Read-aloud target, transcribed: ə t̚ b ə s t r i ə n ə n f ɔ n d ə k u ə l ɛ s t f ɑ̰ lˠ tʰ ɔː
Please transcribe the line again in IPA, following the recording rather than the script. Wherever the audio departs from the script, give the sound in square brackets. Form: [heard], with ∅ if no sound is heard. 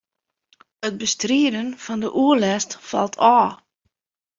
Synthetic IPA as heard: ə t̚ b ə s t r i ə [d] ə n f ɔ n d ə [ʔ] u ə l ɛ s t f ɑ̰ lˠ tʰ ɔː